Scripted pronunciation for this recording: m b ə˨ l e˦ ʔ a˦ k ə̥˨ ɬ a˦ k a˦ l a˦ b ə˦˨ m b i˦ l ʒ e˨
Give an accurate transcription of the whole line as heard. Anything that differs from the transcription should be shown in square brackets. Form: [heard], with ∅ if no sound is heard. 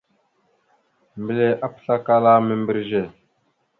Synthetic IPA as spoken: m b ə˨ l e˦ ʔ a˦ [p] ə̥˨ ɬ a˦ k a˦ l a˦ [m] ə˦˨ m b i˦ [ɾ] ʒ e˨